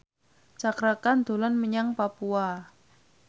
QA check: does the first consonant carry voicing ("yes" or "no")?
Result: no